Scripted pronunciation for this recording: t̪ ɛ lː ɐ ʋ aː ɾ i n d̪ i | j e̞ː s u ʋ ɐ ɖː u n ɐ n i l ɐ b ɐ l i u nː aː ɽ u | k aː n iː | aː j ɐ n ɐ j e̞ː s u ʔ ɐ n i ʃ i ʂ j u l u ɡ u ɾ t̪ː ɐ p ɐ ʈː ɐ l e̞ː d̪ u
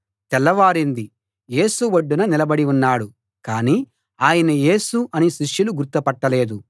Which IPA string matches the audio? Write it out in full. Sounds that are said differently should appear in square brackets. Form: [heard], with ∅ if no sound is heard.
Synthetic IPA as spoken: t̪ ɛ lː ɐ ʋ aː ɾ i n d̪ i | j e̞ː s u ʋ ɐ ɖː u n ɐ n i l ɐ b ɐ [ɽ] i u nː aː ɽ u | k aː n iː | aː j ɐ n ɐ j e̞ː s u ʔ ɐ n i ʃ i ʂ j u l u ɡ u ɾ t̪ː ɐ p ɐ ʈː ɐ l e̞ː d̪ u